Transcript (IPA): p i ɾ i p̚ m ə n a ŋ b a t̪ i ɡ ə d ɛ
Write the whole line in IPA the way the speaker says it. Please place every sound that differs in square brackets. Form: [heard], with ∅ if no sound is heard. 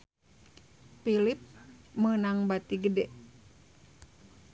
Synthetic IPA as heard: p i [l] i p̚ m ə n a ŋ b a t̪ i ɡ ə d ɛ

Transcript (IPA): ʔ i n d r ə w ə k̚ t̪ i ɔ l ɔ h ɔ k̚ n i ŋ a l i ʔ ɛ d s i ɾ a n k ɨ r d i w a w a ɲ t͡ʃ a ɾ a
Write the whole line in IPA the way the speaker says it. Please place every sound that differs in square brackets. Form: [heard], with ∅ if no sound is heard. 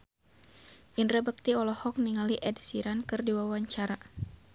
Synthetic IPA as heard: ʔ i n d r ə [b] ə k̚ t̪ i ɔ l ɔ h ɔ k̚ n i ŋ a l i ʔ ɛ d s i ɾ a n k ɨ r d i w a w a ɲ t͡ʃ a ɾ a

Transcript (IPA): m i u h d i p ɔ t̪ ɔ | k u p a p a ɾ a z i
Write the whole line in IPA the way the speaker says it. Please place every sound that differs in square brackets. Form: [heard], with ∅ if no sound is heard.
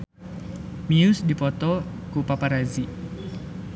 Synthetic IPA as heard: m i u [s] d i p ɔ t̪ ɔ | k u p a p a ɾ a z i

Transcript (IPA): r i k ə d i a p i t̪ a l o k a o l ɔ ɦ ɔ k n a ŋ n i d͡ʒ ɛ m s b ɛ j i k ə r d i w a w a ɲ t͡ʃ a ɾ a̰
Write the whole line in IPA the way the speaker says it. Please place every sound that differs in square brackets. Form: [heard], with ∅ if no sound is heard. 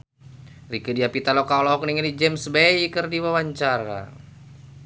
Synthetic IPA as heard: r i k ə d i a p i t̪ a l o k a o l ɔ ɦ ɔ k n [i] ŋ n i d͡ʒ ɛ m s b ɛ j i k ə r d i w a w a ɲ t͡ʃ a ɾ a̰

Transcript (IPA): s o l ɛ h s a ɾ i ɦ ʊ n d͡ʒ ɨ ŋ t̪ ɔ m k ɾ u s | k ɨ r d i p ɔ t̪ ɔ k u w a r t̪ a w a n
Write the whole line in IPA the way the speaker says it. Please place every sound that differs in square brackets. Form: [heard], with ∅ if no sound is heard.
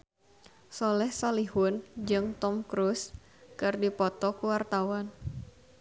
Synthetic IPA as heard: s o l ɛ h s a [l] i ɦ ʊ n d͡ʒ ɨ ŋ t̪ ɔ m k ɾ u s | k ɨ r d i p ɔ t̪ ɔ k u w a r t̪ a w a n

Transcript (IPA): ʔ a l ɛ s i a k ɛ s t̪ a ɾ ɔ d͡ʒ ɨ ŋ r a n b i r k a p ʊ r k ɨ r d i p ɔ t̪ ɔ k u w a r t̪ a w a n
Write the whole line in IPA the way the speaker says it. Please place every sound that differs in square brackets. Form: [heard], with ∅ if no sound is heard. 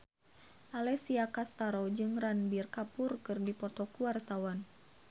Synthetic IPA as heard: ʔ a l ɛ s i a k [a] s t̪ a ɾ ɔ d͡ʒ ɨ ŋ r a n b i r k a p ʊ r k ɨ r d i p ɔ t̪ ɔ k u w a r t̪ a w a n

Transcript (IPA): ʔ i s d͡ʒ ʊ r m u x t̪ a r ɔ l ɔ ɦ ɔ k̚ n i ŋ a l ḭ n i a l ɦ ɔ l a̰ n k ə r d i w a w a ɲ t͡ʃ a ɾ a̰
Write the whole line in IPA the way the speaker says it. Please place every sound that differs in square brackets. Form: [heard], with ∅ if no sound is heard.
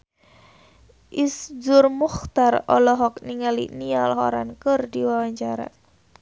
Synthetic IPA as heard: ʔ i s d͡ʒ ʊ r m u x t̪ a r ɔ l ɔ ɦ ɔ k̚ n i ŋ a l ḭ n i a l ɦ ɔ [ɾ] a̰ n k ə r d i w a w a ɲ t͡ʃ a ɾ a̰

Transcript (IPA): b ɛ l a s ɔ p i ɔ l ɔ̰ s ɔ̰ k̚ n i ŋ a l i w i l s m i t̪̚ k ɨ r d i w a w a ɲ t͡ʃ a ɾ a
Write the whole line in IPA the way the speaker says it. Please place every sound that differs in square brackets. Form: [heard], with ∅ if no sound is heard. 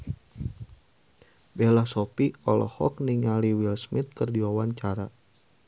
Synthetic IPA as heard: b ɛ l a s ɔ p i ɔ l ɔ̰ [h] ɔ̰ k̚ n i ŋ a l i w i l s m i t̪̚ k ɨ r d i w a w a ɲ t͡ʃ a ɾ a

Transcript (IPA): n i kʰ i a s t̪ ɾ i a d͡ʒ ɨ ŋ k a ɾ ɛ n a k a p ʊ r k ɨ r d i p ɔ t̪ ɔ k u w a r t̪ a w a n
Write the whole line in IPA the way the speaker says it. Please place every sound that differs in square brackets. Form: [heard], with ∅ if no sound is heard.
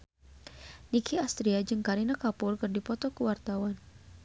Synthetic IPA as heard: n i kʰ i a s t̪ ɾ i a d͡ʒ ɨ ŋ k a ɾ [i] n a k a p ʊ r k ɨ r d i p ɔ t̪ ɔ k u w a r t̪ a w a n

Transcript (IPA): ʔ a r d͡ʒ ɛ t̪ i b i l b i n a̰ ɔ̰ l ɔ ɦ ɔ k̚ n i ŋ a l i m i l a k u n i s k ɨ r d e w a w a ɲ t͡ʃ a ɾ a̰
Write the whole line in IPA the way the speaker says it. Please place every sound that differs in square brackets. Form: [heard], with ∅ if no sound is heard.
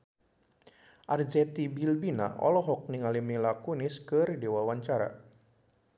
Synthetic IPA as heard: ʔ a r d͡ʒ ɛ t̪ i b i l b i n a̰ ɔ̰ l ɔ ɦ ɔ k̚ n i ŋ a l i m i l a k u n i s k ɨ r d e w a w a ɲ t͡ʃ a ɾ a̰

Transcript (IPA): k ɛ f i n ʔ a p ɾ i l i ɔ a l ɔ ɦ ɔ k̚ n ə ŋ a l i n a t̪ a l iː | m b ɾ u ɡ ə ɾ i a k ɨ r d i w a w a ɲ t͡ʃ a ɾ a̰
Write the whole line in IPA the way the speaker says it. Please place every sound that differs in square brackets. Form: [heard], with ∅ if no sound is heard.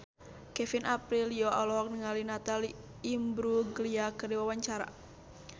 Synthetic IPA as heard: k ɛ f i n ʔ a p ɾ i l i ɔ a l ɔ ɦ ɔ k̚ n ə ŋ a l i n a t̪ a l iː | m b ɾ u ɡ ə [l] i a k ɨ r d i w a w a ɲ t͡ʃ a ɾ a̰

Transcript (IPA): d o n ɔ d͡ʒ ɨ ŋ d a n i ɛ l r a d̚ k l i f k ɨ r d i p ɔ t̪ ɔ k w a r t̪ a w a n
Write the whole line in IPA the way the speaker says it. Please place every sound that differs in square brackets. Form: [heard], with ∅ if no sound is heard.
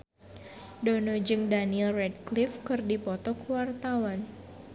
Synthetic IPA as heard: d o n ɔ d͡ʒ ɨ ŋ d a n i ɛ l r [ɛ] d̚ k l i f k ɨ r d i p ɔ t̪ ɔ k w a r t̪ a w a n

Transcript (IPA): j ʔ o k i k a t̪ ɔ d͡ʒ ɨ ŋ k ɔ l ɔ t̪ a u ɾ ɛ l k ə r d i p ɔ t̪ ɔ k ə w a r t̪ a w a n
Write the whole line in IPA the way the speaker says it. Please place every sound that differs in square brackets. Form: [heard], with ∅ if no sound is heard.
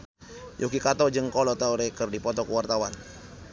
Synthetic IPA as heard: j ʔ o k i k a t̪ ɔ d͡ʒ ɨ ŋ k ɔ l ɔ t̪ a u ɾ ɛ [∅] k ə r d i p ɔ t̪ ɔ k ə w a r t̪ a w a n

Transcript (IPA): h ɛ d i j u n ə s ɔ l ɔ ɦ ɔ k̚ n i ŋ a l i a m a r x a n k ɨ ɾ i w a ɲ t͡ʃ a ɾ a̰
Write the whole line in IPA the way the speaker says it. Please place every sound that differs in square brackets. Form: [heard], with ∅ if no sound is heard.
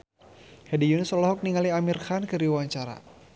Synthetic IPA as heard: h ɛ d i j u n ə s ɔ l ɔ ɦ ɔ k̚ n i ŋ a l i a m [i] r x a n k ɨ ɾ i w a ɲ t͡ʃ a ɾ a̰

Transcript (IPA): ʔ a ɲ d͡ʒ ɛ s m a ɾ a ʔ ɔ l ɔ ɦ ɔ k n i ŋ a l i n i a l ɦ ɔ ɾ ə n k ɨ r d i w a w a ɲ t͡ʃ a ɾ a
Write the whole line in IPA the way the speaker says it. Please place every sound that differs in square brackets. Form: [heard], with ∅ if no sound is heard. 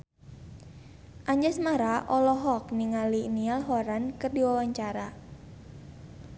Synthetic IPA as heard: ʔ a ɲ d͡ʒ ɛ s m a ɾ a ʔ ɔ l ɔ ɦ ɔ k n i ŋ a l i n i a l ɦ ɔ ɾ [a] n k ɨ r d i w a w a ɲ t͡ʃ a ɾ a

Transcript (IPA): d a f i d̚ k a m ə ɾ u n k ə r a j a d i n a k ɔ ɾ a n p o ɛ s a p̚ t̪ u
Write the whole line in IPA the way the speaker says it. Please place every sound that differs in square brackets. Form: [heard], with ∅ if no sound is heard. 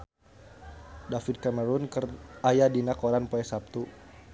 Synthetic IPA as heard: d a f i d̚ k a m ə ɾ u n k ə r a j a d i n a k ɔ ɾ a n p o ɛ s a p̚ t̪ u

